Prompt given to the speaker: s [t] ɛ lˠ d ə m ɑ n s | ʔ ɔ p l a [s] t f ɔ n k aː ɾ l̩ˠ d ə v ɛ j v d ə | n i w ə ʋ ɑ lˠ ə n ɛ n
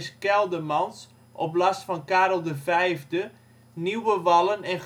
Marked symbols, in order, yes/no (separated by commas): no, yes